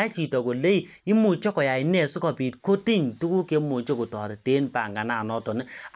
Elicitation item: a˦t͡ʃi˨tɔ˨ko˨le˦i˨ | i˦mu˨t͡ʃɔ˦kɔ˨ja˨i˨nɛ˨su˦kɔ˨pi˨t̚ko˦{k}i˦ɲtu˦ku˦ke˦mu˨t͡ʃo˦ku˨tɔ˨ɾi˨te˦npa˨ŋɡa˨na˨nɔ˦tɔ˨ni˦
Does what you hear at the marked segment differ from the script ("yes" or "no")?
yes